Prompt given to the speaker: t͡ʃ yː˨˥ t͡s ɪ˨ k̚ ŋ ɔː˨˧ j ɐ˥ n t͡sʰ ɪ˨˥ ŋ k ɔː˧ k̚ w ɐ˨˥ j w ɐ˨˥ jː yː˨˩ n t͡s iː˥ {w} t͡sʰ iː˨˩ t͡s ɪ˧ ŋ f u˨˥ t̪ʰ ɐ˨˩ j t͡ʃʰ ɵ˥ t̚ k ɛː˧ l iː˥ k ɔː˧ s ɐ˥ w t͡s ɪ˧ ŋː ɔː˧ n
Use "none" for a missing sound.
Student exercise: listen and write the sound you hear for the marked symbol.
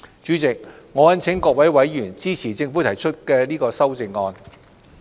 none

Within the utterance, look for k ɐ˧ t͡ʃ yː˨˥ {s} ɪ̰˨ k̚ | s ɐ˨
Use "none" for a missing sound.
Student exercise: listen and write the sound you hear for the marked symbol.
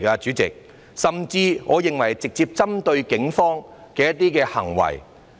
t͡s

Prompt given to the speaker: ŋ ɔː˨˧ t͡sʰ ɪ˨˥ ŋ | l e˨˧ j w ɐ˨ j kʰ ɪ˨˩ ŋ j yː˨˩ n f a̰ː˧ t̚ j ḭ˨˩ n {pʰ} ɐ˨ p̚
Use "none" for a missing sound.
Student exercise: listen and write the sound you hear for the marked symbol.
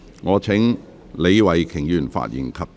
kʰ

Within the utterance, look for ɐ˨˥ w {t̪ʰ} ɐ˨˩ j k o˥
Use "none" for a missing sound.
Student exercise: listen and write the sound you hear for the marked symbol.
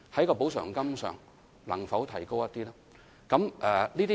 t̪ʰ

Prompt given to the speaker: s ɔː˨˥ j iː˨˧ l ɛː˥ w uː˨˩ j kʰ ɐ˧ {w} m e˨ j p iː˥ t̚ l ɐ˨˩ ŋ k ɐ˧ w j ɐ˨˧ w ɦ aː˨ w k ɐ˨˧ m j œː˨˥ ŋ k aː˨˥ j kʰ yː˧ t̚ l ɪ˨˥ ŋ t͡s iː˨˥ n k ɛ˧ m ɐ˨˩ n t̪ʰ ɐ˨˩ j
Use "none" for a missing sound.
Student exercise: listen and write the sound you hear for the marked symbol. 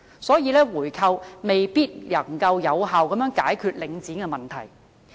w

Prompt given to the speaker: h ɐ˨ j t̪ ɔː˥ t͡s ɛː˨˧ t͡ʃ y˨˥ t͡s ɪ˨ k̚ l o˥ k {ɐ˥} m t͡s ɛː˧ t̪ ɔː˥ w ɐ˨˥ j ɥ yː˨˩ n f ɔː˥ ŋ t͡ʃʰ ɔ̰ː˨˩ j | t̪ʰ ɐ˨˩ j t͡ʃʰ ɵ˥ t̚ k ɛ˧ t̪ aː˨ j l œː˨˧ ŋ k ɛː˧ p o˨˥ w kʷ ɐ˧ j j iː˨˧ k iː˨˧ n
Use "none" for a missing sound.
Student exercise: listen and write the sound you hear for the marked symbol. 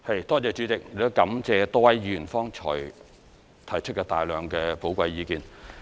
ɐ˨˥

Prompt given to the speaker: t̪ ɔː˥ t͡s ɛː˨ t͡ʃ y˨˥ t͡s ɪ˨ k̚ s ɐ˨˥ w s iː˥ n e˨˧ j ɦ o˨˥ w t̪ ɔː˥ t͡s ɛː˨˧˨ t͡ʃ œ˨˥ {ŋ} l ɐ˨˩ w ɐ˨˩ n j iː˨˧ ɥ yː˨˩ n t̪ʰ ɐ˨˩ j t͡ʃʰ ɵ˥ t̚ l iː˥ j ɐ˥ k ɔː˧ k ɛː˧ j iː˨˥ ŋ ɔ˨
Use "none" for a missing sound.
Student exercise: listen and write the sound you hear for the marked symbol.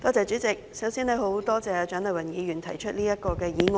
n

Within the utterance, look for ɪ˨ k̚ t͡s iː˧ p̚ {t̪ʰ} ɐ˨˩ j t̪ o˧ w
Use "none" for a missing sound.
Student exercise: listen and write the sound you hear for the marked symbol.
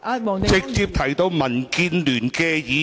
t̪ʰ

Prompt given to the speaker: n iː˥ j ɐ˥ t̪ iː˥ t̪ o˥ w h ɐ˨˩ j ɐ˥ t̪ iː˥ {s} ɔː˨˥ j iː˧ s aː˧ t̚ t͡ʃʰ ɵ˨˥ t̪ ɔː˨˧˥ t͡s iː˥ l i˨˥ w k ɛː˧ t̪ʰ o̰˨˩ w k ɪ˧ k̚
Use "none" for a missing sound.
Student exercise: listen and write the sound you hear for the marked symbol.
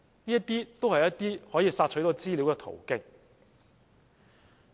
h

